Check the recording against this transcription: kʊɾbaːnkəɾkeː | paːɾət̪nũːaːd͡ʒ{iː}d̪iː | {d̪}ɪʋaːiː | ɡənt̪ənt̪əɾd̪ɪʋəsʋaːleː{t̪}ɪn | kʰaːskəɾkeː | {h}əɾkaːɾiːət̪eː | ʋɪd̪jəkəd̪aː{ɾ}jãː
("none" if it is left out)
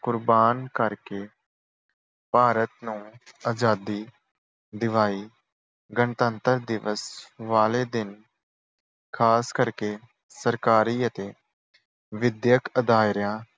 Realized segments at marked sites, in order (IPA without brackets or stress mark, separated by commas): aː, d̪, d̪, s, ɾ